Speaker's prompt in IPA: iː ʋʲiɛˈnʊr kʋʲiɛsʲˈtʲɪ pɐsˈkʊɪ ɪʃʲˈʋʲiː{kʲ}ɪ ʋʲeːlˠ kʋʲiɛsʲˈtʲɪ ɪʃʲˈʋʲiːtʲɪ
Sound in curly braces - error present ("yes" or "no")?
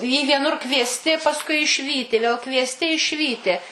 yes